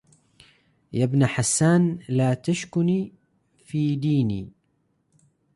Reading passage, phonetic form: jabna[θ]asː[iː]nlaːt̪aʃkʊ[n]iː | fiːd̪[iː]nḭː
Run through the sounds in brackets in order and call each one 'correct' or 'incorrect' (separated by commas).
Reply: incorrect, incorrect, correct, correct